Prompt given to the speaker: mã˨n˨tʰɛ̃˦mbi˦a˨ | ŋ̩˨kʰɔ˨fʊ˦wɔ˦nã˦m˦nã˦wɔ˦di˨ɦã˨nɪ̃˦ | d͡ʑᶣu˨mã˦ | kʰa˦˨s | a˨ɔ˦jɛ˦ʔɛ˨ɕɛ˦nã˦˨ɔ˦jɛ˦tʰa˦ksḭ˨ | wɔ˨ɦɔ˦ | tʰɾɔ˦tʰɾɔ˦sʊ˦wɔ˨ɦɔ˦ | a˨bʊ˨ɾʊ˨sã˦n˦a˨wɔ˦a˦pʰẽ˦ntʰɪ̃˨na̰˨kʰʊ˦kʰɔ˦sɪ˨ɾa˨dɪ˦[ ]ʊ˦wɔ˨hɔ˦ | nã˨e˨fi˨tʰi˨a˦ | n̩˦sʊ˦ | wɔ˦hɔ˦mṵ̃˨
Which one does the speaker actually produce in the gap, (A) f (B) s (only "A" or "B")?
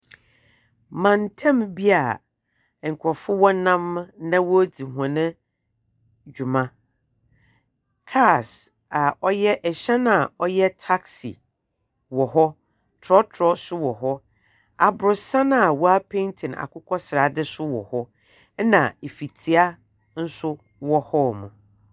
B